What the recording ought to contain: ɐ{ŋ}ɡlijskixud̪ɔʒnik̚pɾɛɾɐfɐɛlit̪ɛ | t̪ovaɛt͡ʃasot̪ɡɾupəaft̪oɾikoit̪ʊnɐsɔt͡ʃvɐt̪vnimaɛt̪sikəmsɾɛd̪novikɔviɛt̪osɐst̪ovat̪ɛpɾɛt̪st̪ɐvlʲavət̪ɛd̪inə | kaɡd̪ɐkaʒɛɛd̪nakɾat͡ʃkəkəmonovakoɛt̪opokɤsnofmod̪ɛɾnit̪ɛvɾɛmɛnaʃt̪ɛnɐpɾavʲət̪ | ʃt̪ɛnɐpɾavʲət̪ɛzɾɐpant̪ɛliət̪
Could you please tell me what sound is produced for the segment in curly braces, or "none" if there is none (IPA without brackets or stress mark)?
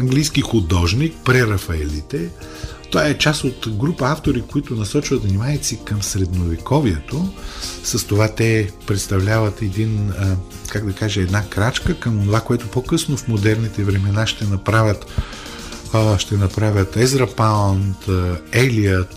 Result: ŋ